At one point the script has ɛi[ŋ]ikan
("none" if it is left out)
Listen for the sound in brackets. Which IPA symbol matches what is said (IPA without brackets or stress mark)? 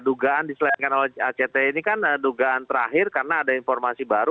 n